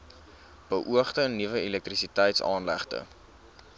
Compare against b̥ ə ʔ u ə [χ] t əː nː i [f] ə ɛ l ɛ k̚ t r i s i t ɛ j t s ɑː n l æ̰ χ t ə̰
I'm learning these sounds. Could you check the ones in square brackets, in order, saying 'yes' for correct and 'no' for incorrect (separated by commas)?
yes, no